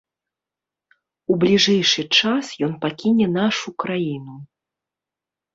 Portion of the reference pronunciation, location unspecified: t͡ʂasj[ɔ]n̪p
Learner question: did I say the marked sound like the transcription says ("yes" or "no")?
yes